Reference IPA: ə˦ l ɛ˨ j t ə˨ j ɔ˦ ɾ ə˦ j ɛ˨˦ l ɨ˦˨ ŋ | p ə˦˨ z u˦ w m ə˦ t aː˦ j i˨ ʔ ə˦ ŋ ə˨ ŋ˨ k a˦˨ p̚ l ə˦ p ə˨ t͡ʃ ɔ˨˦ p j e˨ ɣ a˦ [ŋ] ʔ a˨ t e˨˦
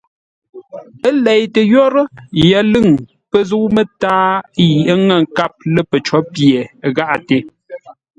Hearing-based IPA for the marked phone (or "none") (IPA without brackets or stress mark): none